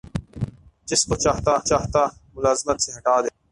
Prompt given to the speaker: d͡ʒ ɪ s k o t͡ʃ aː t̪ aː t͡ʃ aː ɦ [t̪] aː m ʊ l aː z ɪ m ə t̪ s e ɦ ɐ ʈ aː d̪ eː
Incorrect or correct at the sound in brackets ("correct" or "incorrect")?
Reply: correct